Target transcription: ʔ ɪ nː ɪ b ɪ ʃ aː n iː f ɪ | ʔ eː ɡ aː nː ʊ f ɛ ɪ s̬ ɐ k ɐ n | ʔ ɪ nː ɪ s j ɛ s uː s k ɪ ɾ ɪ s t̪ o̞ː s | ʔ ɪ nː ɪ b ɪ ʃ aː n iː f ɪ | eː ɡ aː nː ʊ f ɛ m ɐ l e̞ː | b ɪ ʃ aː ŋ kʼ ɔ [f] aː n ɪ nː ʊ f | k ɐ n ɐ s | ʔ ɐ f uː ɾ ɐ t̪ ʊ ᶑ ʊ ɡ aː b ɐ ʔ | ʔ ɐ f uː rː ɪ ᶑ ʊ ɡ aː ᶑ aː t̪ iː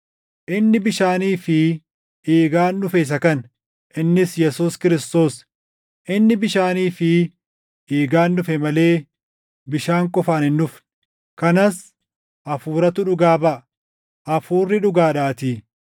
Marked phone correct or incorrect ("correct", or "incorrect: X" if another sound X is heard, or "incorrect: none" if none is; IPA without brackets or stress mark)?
correct